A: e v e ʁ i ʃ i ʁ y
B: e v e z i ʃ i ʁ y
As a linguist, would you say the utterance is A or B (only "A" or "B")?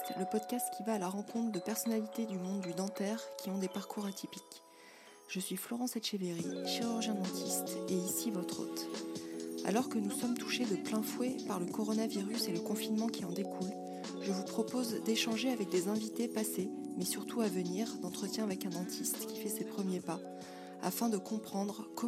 A